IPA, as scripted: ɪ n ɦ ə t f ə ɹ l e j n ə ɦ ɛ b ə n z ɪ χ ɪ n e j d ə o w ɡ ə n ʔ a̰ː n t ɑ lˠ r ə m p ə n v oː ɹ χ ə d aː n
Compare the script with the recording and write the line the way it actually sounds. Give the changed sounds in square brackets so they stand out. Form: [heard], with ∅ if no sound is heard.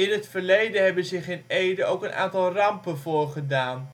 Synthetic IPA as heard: ɪ n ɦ ə t f ə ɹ l e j [d] ə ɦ ɛ b ə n z ɪ χ ɪ n e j d ə o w [k] ə n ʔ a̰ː n t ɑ lˠ r [ɑ] m p ə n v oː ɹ χ ə d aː n